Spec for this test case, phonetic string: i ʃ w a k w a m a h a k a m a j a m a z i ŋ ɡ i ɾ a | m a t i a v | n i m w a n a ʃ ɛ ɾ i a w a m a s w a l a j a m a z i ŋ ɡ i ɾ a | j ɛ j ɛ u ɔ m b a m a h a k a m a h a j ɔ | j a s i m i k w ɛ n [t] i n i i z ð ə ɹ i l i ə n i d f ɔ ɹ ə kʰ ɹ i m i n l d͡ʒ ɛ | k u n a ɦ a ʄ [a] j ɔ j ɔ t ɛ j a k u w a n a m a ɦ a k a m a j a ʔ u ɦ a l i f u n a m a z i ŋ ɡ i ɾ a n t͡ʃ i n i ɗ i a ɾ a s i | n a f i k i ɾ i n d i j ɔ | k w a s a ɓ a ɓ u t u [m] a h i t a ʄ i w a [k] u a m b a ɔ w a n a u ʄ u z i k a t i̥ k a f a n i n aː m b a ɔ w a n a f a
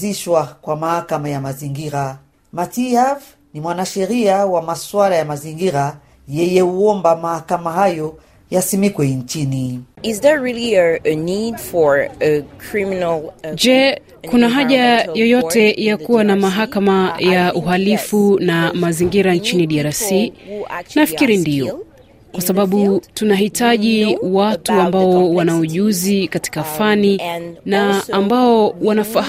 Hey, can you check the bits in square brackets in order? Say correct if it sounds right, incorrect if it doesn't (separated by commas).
incorrect, correct, incorrect, incorrect